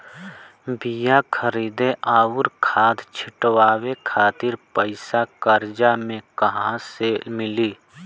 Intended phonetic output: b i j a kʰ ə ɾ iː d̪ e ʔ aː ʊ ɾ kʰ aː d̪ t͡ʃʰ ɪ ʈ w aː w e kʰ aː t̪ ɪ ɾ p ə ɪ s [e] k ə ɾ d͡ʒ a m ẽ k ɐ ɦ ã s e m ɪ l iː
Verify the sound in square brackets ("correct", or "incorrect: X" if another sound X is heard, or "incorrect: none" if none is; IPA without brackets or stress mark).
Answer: incorrect: a